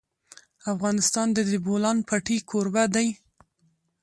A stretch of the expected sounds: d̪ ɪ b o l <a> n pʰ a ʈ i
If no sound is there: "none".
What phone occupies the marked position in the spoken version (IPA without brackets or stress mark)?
ɑ